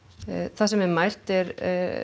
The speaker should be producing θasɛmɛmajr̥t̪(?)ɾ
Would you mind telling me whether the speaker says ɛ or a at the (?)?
ɛ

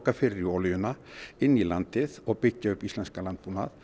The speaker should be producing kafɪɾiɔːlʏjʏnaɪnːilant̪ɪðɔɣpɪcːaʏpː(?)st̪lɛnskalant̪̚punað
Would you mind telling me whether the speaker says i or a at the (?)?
i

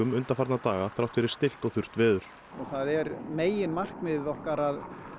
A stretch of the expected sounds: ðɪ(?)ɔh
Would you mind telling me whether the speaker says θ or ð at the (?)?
ð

